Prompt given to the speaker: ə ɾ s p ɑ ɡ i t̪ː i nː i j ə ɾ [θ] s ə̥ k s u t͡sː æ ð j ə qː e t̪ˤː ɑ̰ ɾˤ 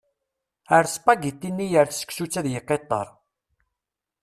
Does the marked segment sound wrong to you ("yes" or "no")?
no